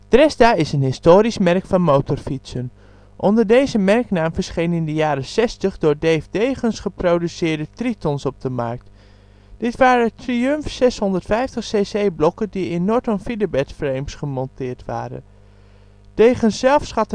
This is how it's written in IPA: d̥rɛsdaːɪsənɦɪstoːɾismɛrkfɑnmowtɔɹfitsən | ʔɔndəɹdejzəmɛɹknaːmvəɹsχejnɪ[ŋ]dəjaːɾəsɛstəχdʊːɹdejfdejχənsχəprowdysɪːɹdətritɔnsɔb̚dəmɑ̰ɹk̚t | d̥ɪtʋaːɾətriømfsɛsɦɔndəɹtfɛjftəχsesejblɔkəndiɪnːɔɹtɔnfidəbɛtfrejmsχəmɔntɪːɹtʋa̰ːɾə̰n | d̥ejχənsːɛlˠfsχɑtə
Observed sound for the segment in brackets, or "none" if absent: n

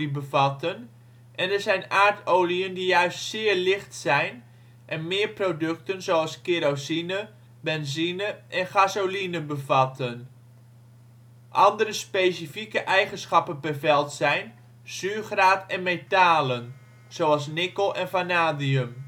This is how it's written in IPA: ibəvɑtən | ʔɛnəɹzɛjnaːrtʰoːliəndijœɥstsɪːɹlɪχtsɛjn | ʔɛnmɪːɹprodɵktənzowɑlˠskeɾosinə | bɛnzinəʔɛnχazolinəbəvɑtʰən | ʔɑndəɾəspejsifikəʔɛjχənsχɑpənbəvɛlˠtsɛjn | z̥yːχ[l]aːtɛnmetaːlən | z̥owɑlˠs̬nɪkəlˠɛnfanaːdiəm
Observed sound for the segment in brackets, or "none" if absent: r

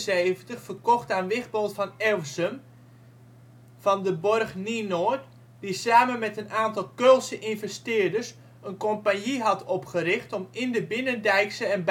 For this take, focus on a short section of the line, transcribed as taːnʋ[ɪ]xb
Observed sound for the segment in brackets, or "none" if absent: ɪ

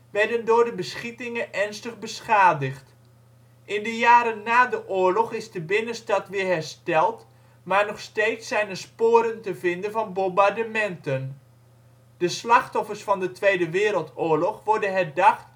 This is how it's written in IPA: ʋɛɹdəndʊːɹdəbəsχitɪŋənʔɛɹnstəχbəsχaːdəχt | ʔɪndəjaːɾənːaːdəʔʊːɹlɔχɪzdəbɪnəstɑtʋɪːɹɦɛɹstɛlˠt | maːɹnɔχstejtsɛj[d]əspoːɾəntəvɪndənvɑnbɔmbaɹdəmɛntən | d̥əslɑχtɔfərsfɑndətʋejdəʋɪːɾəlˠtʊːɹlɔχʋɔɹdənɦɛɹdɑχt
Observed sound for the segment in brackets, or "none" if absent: n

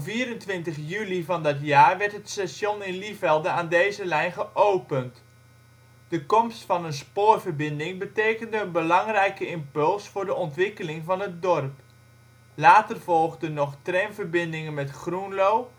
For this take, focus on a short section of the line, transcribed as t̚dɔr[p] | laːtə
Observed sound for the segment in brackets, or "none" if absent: p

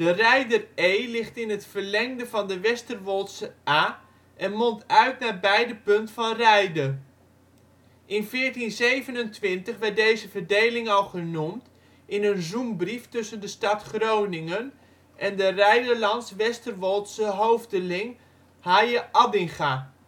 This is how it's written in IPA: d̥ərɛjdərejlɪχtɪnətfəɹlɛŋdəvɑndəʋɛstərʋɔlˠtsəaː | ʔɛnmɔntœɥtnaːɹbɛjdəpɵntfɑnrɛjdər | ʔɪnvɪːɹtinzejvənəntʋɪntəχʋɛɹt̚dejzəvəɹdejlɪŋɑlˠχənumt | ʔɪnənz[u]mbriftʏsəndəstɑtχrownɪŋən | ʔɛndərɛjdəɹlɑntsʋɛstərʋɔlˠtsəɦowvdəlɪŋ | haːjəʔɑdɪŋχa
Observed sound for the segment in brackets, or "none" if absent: u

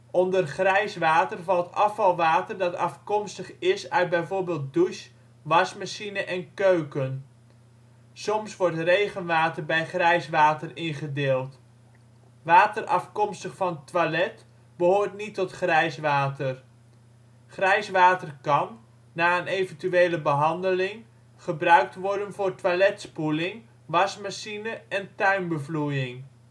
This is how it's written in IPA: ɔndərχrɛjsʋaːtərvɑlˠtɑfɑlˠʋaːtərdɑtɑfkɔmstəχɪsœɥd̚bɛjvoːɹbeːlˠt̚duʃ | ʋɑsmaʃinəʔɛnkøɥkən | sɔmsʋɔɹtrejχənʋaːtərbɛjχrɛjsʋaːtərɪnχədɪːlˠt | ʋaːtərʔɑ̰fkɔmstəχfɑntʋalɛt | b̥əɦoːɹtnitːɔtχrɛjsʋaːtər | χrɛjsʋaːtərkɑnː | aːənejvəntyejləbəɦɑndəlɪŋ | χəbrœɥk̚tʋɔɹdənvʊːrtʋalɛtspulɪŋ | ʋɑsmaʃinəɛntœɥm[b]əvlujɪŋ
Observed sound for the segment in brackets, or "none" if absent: b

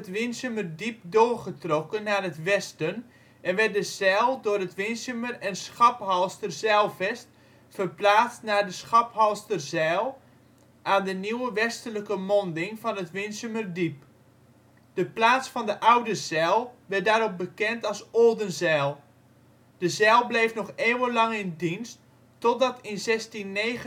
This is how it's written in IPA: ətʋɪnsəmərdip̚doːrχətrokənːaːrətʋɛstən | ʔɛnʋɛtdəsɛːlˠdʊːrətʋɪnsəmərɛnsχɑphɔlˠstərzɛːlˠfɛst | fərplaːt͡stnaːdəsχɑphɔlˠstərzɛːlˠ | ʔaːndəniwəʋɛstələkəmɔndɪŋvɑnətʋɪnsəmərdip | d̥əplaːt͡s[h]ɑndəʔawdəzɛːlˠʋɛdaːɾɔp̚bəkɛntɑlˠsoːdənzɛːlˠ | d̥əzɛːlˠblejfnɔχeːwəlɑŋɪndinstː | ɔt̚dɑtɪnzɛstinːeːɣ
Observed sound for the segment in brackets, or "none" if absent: f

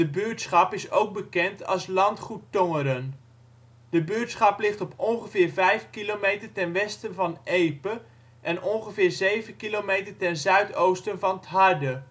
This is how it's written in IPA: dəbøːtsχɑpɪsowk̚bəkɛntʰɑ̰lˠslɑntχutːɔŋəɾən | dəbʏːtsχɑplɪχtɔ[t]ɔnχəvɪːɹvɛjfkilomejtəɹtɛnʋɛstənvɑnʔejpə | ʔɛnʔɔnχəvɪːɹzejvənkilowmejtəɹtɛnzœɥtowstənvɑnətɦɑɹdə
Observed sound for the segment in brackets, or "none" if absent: p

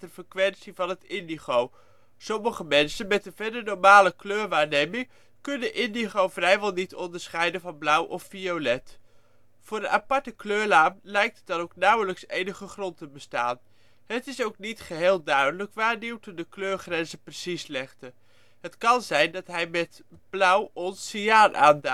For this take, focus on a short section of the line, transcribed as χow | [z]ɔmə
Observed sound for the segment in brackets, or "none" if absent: s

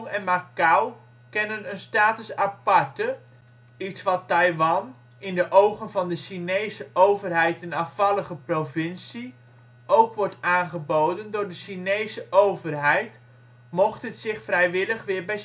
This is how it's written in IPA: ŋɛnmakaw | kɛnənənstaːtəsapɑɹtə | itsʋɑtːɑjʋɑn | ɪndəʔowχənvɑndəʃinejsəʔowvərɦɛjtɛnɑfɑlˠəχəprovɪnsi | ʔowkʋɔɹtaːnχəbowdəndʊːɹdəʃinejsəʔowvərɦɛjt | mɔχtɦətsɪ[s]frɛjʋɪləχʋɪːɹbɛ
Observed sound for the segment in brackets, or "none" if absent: χ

